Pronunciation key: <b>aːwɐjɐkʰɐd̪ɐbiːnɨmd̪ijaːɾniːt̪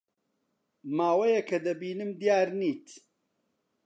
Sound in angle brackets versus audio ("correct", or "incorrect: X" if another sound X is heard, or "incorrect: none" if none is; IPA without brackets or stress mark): incorrect: m